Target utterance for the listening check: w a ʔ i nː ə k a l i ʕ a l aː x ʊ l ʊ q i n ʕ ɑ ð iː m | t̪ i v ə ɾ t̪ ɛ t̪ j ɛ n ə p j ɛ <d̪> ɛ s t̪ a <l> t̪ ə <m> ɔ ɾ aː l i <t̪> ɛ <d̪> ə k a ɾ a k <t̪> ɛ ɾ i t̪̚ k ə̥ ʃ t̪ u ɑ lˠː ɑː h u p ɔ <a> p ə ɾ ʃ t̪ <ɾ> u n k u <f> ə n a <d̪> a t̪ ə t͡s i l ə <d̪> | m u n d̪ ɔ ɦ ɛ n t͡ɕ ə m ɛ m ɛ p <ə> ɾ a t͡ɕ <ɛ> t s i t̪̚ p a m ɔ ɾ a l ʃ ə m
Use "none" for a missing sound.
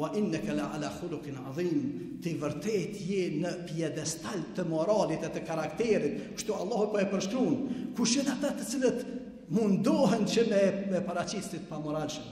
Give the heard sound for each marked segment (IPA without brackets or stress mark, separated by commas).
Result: d̪, l, m, t̪, t̪, t̪, ɛ, ɾ, ʃ, t̪, t̪, a, i